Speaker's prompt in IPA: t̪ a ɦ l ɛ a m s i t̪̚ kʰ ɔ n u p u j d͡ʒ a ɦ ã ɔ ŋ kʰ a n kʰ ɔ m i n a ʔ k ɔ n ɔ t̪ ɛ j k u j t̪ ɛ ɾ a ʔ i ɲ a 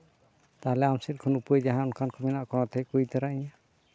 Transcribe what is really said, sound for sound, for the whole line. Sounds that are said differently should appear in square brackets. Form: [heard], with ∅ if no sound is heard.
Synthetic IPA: t̪ a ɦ l ɛ a m s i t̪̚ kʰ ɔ n u p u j d͡ʒ a ɦ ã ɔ [n] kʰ a n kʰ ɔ m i n a ʔ k ɔ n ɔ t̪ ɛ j k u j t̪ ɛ ɾ a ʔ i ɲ a